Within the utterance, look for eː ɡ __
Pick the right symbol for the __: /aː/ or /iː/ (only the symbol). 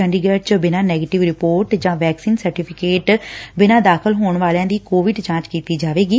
iː